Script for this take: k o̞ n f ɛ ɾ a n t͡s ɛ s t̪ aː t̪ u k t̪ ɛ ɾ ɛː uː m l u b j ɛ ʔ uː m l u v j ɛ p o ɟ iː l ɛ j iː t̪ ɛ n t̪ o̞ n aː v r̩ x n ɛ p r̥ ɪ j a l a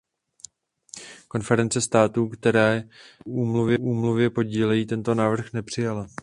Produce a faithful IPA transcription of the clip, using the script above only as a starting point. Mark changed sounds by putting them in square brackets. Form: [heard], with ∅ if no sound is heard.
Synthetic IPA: k o̞ n f ɛ ɾ [ɛ] n t͡s ɛ s t̪ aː t̪ u k t̪ ɛ ɾ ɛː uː m l u [v] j ɛ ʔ uː m l u v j ɛ p o ɟ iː l ɛ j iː t̪ ɛ n t̪ o̞ n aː v r̩ x n ɛ p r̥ ɪ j a l a